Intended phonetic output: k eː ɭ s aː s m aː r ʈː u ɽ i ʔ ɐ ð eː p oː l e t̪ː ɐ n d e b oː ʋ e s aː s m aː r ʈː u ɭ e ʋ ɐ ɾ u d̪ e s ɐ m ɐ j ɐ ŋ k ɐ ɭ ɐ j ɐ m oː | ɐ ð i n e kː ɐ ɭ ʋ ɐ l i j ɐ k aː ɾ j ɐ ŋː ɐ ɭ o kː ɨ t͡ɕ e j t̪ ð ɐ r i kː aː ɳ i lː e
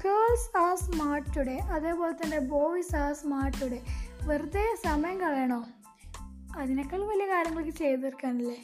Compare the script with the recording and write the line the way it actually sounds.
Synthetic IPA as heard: k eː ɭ s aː s m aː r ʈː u ɽ e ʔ ɐ ð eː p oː l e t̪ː ɐ n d e b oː ʋ i s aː s m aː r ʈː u ɽ e ʋ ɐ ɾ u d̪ e s ɐ m ɐ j ɐ ŋ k ɐ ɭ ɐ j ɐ ɳ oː | ɐ ð i n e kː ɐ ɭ ʋ ɐ l i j ɐ k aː ɾ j ɐ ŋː ɐ ɭ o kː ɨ t͡ɕ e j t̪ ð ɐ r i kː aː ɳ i lː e